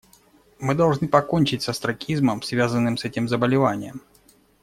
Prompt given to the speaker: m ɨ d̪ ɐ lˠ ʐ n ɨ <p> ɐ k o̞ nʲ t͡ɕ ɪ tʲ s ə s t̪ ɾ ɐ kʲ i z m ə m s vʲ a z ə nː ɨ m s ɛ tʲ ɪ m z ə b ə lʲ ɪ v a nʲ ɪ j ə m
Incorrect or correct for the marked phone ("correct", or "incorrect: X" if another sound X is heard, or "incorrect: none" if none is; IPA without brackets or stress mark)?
correct